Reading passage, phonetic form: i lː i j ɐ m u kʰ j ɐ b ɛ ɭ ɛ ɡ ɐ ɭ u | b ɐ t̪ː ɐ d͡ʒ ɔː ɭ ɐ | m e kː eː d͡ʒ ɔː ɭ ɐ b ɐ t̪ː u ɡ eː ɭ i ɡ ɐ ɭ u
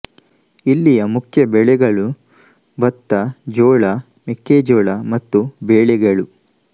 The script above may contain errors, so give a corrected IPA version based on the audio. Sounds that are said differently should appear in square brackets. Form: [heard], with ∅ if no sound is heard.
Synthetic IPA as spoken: i lː i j ɐ m u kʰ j ɐ b ɛ ɭ ɛ ɡ ɐ ɭ u | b ɐ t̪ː ɐ d͡ʒ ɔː ɭ ɐ | m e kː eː d͡ʒ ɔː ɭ ɐ [m] ɐ t̪ː u [b] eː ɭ [ɛ] ɡ ɐ ɭ u

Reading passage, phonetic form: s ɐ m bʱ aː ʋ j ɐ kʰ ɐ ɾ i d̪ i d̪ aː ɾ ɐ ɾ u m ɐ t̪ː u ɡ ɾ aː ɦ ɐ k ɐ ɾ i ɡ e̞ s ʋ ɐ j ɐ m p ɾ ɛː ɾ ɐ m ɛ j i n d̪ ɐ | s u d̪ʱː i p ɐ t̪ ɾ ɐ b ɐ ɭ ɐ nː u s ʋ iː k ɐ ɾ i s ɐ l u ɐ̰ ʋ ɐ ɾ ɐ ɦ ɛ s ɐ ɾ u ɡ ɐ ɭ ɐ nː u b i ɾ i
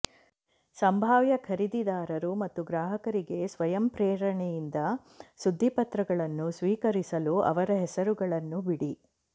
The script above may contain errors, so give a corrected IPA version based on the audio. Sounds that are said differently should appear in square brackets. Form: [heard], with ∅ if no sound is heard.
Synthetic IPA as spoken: s ɐ m bʱ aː ʋ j ɐ kʰ ɐ ɾ i d̪ i d̪ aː ɾ ɐ ɾ u m ɐ t̪ː u ɡ ɾ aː ɦ ɐ k ɐ ɾ i ɡ e̞ s ʋ ɐ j ɐ m p ɾ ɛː ɾ ɐ [ɳ] ɛ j i n d̪ ɐ | s u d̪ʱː i p ɐ t̪ ɾ ɐ [ɡ] ɐ ɭ ɐ nː u s ʋ iː k ɐ ɾ i s ɐ l u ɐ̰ ʋ ɐ ɾ ɐ ɦ ɛ s ɐ ɾ u ɡ ɐ ɭ ɐ nː u b i [ɽ] i

